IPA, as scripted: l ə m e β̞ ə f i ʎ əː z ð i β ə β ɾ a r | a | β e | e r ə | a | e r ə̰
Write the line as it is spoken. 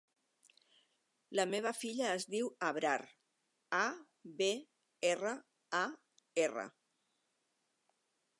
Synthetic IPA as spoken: l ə m e β̞ ə f i ʎ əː z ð i w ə β ɾ a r | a | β e | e r ə | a | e r ə̰